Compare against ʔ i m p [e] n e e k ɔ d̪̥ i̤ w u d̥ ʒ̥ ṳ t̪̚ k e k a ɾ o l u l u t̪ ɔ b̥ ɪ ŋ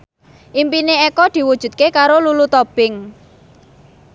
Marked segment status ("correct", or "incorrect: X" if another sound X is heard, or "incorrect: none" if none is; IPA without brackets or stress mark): incorrect: i